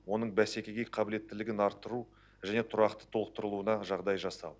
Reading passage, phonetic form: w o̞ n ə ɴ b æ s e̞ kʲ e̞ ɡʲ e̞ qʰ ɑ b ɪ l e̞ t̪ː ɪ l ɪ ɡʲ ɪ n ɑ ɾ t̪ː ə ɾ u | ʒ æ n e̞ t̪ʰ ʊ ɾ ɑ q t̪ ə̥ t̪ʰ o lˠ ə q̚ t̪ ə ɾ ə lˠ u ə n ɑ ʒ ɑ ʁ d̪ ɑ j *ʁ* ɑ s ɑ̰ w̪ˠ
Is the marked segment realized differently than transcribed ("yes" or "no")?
yes